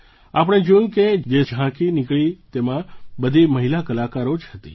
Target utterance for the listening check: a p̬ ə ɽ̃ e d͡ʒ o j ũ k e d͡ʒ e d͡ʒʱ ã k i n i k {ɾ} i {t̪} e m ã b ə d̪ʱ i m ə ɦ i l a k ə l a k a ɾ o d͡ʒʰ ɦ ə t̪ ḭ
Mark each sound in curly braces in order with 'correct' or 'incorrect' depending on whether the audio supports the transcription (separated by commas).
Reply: incorrect, correct